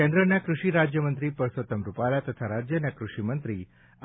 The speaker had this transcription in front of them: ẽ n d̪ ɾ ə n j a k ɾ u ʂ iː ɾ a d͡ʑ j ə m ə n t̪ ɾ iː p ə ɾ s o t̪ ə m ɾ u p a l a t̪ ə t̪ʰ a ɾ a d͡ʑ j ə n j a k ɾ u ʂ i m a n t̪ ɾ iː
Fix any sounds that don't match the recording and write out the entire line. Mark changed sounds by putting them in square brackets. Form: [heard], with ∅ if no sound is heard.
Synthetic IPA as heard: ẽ n d̪ ɾ ə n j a k ɾ u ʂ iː ɾ a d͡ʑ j ə m ə n t̪ ɾ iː p ə ɾ s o t̪ ə m ɾ u p a l a t̪ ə t̪ʰ a ɾ a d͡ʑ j ə n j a k ɾ u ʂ i m [ə] n t̪ ɾ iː